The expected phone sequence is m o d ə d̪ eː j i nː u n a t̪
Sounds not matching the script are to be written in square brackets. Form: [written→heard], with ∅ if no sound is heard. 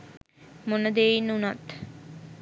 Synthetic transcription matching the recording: m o [d→n] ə d̪ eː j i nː u n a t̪